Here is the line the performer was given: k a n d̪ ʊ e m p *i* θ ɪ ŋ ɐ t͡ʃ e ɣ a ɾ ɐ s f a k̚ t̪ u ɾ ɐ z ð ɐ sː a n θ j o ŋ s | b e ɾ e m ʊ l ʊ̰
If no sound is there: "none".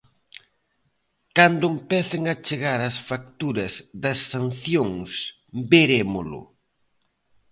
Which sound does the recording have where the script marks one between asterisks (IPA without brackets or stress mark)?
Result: ɛ